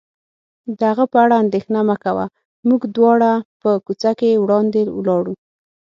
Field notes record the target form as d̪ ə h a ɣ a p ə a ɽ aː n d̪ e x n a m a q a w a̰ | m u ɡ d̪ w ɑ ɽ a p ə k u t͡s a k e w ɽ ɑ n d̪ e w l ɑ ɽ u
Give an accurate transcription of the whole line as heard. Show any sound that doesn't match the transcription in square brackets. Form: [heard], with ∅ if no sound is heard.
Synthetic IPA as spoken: d̪ ə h a ɣ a p ə a ɽ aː n d̪ e x n a m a [k] a w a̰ | m u ɡ d̪ w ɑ ɽ a p ə k u t͡s a k e w ɽ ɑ n d̪ e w l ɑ ɽ u